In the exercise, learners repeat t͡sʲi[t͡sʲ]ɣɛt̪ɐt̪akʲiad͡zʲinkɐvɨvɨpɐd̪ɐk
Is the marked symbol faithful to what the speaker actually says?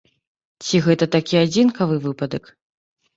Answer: no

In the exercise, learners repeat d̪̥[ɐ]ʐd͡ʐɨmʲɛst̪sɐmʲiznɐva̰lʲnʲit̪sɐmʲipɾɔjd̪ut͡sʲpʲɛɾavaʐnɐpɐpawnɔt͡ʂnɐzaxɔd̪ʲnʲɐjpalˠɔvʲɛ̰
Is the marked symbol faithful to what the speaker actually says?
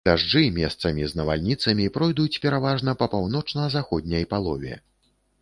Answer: no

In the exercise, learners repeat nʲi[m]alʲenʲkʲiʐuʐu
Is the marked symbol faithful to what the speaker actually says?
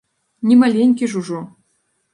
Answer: yes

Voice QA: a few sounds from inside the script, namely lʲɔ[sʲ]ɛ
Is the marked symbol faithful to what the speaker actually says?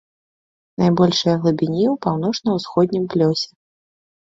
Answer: yes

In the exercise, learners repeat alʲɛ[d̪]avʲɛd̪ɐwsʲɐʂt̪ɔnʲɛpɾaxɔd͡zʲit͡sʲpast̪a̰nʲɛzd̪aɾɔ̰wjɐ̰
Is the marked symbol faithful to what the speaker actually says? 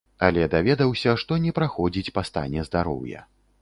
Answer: yes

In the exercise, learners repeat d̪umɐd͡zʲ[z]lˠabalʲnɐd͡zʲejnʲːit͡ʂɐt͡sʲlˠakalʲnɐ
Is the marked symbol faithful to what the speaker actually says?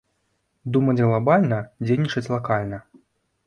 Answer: no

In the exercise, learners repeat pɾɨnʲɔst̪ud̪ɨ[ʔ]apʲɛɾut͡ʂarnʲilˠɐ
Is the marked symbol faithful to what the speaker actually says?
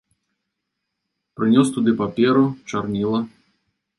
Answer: no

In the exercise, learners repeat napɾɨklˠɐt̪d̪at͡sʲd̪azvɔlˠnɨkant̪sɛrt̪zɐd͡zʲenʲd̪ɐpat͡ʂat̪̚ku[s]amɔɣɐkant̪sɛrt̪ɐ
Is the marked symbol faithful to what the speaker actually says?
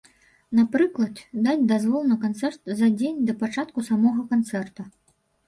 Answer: yes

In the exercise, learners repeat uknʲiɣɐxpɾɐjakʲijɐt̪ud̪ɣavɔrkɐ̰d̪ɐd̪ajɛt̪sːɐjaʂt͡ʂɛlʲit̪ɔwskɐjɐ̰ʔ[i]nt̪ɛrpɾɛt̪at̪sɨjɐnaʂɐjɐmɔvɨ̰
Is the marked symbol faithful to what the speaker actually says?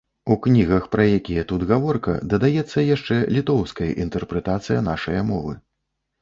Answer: yes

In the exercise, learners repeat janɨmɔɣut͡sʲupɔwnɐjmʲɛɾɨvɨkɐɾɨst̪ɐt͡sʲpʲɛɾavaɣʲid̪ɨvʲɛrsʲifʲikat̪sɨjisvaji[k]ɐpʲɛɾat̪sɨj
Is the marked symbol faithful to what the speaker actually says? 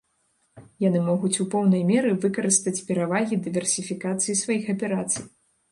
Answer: no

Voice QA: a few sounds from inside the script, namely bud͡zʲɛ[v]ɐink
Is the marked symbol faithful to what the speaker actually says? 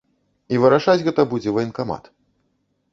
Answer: yes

